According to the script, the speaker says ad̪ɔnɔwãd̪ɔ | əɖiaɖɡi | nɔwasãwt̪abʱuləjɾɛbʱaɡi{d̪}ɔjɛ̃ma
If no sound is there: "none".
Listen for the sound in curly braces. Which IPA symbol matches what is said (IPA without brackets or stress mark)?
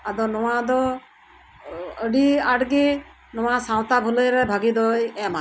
d̪